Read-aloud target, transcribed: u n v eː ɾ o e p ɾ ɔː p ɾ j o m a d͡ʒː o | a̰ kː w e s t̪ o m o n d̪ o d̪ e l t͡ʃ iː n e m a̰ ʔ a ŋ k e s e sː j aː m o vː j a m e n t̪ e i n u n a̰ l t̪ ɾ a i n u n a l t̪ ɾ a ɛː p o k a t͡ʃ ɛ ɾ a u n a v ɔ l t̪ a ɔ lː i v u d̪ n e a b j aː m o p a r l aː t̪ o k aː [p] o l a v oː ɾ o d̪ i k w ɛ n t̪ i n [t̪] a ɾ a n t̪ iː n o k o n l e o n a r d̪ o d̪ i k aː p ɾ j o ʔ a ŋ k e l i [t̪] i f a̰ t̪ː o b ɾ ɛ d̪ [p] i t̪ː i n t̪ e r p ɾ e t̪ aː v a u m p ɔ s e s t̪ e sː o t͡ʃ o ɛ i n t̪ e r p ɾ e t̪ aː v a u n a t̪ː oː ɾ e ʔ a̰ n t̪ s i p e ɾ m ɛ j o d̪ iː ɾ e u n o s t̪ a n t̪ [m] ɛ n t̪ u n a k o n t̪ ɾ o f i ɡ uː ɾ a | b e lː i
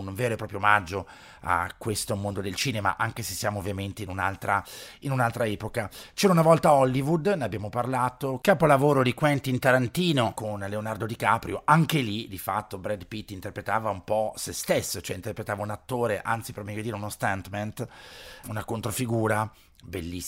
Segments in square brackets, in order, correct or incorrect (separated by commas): correct, correct, incorrect, correct, correct